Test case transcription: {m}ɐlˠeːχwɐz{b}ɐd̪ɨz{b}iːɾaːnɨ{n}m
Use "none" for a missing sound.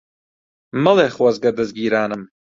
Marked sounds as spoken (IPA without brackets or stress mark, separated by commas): m, ɡ, ɡ, none